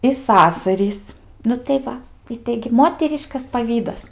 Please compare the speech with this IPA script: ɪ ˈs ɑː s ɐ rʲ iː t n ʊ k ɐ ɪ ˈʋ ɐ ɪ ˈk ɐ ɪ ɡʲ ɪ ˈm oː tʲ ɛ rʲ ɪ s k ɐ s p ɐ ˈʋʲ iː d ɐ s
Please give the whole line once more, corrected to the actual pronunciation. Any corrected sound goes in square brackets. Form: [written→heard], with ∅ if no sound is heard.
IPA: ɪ ˈs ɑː s ɐ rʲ iː [t→s] n ʊ [k→t] ɐ ɪ ˈʋ ɐ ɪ [ˈk→ˈt] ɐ ɪ ɡʲ ɪ ˈm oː tʲ ɛ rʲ ɪ [s→ʃ] k ɐ s p ɐ ˈʋʲ iː d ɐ s